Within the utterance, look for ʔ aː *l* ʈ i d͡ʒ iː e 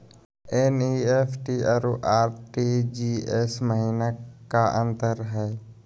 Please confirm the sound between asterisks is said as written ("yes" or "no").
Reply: no